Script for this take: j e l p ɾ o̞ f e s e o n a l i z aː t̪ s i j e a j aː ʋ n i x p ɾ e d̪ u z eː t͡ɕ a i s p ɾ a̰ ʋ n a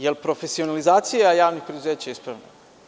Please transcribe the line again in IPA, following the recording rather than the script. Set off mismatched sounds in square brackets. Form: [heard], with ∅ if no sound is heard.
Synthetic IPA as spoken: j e l p ɾ o̞ f e s [i] o n a l i z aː t̪ s i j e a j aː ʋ n i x p ɾ e d̪ u z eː t͡ɕ a i s p ɾ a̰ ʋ n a